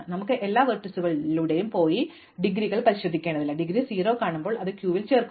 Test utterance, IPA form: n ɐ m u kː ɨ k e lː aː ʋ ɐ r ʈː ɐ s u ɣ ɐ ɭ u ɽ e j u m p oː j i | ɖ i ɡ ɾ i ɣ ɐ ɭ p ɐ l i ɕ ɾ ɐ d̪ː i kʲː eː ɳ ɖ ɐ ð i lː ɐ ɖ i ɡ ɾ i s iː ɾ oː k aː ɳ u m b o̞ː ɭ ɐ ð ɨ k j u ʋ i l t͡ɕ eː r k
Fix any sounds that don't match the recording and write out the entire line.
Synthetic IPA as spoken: n ɐ m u kː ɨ ʔ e lː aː ʋ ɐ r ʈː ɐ s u ɣ ɐ ɭ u ɽ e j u m p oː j i | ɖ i ɡ ɾ i ɣ ɐ ɭ p ɐ ɾ i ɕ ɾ ɐ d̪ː i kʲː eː ɳ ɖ ɐ ð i lː ɐ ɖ i ɡ ɾ i s iː ɾ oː k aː ɳ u m b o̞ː ɭ ɐ ð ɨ k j uː ʋ i l t͡ɕ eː r k